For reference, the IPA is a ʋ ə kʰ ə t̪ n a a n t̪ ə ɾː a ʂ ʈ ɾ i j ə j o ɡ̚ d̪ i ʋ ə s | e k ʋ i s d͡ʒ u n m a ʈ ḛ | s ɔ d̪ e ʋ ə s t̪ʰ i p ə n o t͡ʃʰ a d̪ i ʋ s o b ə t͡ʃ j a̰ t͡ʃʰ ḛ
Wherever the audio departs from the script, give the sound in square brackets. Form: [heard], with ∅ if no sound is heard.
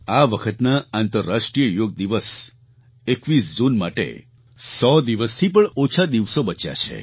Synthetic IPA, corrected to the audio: a ʋ ə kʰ ə t̪ n a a n t̪ ə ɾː a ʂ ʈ ɾ i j ə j o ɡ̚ d̪ i ʋ ə s | e k ʋ i s d͡ʒ u n m a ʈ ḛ | s ɔ d̪ [i] ʋ ə s t̪ʰ i p ə [ɳ] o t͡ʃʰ a d̪ i ʋ s o b ə t͡ʃ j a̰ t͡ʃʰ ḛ